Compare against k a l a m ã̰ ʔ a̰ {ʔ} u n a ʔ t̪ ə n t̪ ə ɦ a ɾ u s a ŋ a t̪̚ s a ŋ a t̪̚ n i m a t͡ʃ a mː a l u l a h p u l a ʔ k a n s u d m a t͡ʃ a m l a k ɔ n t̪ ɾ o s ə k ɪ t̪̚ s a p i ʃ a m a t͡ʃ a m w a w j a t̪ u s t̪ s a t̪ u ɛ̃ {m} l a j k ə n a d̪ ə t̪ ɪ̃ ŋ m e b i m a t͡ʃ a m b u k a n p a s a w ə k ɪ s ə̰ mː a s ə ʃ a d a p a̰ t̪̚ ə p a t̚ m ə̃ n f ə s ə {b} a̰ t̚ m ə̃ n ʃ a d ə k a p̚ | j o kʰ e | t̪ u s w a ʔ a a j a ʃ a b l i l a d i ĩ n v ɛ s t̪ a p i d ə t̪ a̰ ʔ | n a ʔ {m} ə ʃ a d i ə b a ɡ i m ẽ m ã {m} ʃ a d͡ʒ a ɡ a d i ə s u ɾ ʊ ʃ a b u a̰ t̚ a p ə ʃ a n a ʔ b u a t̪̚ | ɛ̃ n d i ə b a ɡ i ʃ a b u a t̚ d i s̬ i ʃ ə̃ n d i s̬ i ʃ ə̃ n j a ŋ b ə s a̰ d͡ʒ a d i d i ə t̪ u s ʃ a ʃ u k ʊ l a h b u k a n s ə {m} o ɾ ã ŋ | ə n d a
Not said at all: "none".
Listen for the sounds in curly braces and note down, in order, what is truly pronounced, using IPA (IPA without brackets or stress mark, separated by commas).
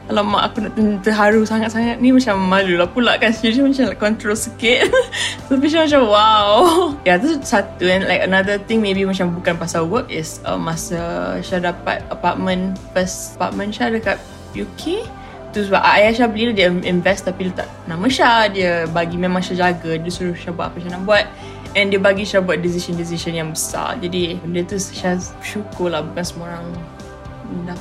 k, n, p, m, ŋ, m